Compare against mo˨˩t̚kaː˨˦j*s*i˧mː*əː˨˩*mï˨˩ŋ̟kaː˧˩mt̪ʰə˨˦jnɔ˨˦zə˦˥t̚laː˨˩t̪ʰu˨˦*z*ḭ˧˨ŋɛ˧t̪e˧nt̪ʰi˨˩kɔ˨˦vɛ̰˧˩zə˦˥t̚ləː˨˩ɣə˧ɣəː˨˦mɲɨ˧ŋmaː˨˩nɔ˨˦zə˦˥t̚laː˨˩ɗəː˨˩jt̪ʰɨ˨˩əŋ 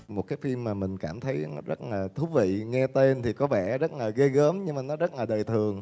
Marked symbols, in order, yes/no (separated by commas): no, no, no